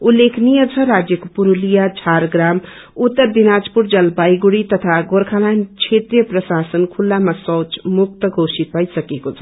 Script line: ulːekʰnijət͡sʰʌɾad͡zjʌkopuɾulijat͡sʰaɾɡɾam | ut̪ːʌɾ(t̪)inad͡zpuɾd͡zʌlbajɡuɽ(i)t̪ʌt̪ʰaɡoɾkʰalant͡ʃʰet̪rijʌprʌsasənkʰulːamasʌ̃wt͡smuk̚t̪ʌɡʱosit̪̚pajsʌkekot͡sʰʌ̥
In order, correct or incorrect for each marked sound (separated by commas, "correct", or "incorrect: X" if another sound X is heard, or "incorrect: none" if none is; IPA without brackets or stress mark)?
incorrect: d̪, correct